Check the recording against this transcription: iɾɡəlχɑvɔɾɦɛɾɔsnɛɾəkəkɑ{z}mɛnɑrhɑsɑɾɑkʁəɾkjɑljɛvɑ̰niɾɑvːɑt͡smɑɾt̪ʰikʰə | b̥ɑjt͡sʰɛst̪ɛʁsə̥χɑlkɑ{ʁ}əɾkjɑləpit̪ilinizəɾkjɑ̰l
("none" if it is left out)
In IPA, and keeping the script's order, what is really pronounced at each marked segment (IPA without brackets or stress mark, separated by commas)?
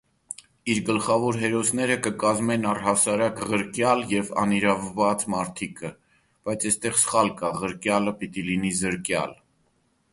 z, ʁ